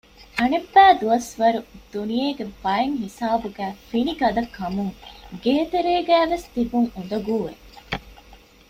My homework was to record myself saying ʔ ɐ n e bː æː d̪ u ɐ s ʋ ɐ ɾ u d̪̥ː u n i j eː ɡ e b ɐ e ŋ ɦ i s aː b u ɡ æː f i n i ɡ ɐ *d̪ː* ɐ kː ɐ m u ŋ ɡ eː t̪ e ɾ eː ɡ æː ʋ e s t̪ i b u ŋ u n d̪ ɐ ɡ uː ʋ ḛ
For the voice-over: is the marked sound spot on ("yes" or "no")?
no